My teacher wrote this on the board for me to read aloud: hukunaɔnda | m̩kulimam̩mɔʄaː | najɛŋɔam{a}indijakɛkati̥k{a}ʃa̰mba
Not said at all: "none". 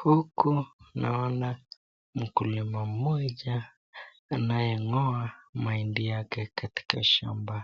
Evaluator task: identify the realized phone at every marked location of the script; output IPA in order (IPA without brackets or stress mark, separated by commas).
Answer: a, a